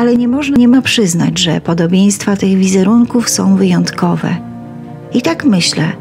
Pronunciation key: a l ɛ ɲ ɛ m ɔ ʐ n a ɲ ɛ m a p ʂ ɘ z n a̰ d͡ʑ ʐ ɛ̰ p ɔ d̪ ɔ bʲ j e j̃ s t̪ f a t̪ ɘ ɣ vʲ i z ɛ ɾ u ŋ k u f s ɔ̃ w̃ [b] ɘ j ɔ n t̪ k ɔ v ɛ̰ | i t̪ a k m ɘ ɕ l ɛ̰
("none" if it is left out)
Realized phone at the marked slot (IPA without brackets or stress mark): v